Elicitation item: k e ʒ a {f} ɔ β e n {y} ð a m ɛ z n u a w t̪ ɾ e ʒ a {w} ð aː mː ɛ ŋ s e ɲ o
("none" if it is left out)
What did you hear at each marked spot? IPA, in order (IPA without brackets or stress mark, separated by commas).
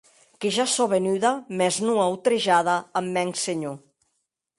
s, y, none